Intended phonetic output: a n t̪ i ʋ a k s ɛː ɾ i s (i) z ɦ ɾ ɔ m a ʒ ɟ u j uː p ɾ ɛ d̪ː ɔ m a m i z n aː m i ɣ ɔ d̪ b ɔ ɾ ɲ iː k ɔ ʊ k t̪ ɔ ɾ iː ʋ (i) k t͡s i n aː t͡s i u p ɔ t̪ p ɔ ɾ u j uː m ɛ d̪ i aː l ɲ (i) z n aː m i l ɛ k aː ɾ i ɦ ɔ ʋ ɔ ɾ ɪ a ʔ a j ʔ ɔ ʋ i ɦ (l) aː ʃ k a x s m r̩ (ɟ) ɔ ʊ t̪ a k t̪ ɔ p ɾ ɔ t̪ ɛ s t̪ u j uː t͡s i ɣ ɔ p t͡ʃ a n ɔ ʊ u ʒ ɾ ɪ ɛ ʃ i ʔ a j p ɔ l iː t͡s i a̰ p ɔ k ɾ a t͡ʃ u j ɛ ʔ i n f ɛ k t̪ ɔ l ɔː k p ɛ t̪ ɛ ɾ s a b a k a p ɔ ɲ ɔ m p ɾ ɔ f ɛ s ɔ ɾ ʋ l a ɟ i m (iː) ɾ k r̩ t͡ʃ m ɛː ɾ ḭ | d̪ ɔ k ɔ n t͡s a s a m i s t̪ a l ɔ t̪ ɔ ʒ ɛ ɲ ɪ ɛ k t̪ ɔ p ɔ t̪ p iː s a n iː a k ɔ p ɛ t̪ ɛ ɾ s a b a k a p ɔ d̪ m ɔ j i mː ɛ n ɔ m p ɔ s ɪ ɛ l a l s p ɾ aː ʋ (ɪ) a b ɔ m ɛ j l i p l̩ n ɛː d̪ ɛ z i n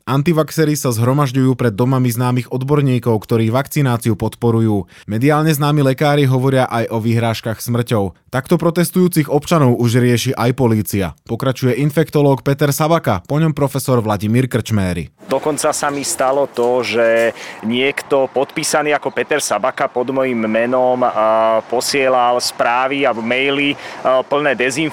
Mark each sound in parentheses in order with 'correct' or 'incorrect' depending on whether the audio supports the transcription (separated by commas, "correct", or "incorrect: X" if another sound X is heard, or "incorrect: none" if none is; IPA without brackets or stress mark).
incorrect: a, incorrect: a, incorrect: ɛ, incorrect: ɾ, incorrect: c, correct, incorrect: i